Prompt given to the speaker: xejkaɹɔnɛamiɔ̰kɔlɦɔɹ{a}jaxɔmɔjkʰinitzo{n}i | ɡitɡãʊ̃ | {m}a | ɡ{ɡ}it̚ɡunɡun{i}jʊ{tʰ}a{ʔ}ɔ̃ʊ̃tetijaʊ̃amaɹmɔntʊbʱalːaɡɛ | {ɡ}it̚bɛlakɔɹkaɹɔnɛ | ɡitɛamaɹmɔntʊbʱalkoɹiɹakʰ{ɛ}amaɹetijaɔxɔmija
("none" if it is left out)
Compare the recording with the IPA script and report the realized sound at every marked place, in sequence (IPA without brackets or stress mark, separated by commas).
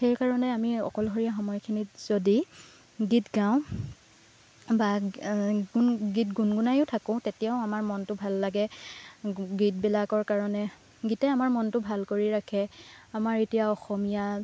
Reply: i, d, b, ɡ, a, tʰ, k, ɡ, ɛ